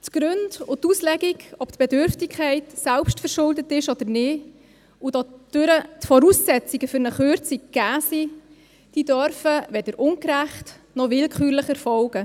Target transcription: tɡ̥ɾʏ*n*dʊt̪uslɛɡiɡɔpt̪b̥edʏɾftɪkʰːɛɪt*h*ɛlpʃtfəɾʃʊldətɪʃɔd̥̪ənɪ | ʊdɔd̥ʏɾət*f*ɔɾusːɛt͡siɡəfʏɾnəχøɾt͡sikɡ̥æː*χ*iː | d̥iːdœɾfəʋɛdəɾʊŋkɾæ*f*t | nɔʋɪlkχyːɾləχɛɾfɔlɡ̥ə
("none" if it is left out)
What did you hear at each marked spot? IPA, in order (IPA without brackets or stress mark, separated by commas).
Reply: n, s, f, s, χ